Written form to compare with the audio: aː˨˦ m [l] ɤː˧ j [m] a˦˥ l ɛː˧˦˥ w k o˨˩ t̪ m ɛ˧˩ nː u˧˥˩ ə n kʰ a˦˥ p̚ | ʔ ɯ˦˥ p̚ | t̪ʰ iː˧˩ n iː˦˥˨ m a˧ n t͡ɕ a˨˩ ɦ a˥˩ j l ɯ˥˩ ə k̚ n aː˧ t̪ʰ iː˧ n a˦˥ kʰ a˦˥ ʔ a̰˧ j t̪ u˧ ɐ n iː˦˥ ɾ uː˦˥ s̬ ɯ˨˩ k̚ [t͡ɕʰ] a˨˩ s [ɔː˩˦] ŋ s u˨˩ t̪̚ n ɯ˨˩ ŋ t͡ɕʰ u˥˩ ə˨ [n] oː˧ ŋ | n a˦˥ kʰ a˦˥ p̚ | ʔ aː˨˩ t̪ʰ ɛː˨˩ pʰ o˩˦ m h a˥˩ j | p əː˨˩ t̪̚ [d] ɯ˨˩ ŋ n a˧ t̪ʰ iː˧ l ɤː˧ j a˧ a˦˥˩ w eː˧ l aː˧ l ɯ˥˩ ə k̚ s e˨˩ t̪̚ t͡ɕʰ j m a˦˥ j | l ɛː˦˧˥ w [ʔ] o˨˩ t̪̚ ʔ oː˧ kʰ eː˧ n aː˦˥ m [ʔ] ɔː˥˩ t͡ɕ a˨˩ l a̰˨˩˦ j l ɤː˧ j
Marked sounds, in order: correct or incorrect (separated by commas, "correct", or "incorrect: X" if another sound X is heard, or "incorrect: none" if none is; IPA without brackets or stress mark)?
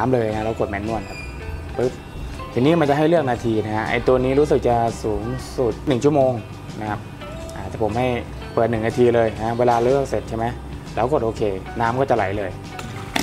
correct, incorrect: n, incorrect: t͡ɕ, incorrect: uː˩˦, incorrect: m, incorrect: n, incorrect: k, incorrect: k